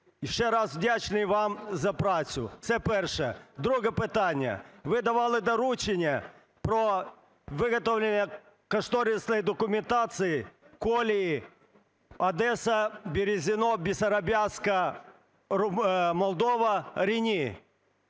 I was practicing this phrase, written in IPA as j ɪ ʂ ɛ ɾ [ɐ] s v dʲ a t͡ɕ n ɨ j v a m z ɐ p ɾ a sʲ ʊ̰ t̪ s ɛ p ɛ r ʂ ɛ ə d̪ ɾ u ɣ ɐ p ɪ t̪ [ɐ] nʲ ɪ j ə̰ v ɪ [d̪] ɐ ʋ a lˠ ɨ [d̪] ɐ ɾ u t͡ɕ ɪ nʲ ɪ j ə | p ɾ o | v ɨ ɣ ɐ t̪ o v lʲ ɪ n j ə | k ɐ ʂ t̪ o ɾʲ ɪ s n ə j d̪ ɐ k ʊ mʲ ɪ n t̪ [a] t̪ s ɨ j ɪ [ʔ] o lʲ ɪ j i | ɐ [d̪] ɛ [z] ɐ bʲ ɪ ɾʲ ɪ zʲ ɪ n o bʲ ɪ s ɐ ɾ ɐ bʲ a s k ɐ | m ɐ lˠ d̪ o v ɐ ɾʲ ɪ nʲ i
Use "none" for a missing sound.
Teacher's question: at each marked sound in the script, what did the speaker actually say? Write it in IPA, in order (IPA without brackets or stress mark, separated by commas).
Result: a, a, d̪, d̪, a, k, d̪, s